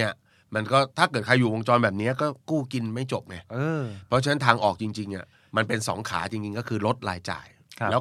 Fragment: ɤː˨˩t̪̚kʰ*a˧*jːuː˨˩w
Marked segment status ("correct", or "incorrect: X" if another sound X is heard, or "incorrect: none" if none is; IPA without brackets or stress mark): correct